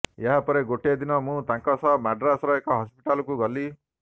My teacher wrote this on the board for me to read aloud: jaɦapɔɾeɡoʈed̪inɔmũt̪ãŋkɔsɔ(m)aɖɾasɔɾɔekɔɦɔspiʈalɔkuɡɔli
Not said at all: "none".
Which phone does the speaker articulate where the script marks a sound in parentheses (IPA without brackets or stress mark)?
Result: m